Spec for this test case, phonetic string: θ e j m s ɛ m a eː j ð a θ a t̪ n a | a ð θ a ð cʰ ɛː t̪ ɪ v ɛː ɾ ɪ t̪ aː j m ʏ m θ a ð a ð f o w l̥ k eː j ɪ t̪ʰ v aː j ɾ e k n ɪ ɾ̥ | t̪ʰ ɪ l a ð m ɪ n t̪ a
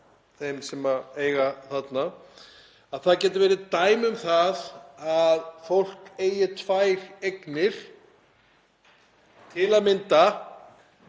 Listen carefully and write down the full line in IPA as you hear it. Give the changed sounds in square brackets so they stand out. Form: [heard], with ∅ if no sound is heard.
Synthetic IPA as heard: θ e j m s ɛ m a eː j [ɣ] a θ a t̪ n a | a ð θ a ð [c] ɛː t̪ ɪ v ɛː ɾ ɪ t̪ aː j m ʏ m θ a ð a ð f o w l̥ k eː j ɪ t̪ʰ v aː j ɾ e k n ɪ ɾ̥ | t̪ʰ ɪ l a ð m ɪ n t̪ a

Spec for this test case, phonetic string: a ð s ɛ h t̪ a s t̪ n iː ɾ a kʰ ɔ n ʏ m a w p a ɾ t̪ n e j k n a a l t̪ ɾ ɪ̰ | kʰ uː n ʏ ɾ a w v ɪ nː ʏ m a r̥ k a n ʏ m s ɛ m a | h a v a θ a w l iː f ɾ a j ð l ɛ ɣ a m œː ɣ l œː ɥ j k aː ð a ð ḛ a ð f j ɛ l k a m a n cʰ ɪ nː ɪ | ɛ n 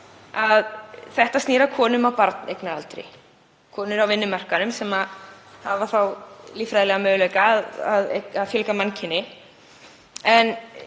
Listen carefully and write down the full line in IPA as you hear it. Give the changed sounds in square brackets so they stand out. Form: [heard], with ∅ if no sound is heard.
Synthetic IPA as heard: a ð [θ] ɛ h t̪ a s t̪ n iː ɾ a kʰ [ɔː] n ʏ m a w p a ɾ t̪ n e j k n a a l t̪ ɾ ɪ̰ | kʰ [ɔː] n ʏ ɾ a w v ɪ nː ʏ m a r̥ k a n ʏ m s ɛ m a | h a v a θ a w l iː f ɾ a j ð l ɛ ɣ a m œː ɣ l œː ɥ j k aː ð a ð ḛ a ð f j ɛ l k a m a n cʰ ɪ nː ɪ | ɛ n

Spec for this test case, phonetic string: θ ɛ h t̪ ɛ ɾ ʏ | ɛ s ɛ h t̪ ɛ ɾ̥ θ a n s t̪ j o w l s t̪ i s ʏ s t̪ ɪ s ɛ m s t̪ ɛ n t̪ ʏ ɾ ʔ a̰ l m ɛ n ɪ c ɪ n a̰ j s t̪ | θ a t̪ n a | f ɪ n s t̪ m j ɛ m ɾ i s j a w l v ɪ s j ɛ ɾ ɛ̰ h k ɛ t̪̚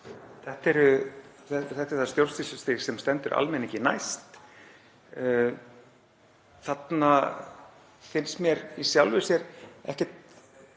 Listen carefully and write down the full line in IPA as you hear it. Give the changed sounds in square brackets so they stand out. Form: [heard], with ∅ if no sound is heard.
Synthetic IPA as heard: θ ɛ h t̪ ɛ ɾ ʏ | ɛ [θ] ɛ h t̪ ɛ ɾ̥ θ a [∅] s t̪ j o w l s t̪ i s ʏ s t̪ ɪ s ɛ m s t̪ ɛ n t̪ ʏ ɾ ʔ a̰ l m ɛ n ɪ c ɪ n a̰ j s t̪ | θ a t̪ n a | f ɪ n s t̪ m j ɛ [∅] ɾ i s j a w l v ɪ s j ɛ ɾ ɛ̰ h [c] ɛ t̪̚

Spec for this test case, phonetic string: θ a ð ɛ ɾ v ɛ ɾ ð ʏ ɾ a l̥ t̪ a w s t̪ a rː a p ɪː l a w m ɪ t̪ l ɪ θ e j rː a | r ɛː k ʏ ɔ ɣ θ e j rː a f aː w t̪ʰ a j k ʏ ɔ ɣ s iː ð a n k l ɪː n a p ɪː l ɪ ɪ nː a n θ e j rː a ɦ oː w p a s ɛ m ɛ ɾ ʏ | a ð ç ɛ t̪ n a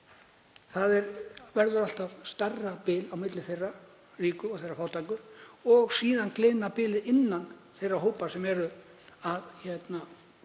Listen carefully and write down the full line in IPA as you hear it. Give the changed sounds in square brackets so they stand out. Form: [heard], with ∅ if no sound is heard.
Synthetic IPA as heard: θ a ð ɛ ɾ v ɛ ɾ ð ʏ ɾ a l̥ t̪ a [v] s t̪ a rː a p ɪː l a w m ɪ t̪ l ɪ θ e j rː a | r [iː] k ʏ ɔ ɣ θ e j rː a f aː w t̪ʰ a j k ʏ ɔ ɣ s iː ð a n k l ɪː n a p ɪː l ɪ ɪ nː a n θ e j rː a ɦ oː w p a s ɛ m ɛ ɾ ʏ | a ð ç ɛ t̪ n a

